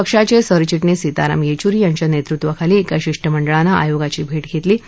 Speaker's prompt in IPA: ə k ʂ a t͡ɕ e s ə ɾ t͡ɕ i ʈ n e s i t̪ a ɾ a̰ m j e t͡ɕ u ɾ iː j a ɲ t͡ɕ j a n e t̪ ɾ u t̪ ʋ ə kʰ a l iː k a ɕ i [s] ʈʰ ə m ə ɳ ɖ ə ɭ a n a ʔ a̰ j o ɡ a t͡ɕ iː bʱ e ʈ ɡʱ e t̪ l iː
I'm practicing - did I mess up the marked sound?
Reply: yes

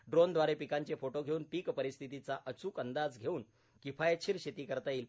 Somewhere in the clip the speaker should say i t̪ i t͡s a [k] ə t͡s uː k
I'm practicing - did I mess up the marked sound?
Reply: yes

